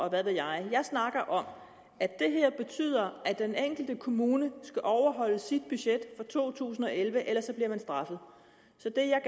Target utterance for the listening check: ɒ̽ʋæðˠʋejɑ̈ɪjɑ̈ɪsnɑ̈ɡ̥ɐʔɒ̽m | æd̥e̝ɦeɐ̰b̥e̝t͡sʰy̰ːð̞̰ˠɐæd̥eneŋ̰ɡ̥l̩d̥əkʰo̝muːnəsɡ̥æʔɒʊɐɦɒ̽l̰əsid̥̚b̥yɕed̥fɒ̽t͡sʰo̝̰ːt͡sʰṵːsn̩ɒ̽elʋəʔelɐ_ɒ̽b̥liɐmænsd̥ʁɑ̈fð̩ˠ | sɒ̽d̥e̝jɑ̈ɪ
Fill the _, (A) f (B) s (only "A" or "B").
B